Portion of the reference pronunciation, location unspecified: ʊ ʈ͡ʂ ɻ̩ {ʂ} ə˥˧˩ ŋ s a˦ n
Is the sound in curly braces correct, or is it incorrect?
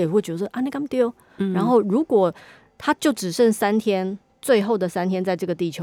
correct